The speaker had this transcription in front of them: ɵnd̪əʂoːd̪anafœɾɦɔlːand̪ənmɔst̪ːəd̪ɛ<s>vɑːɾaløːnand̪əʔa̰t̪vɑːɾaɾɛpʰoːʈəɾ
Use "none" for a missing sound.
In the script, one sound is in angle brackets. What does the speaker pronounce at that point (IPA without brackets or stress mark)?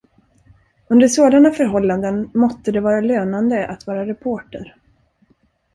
none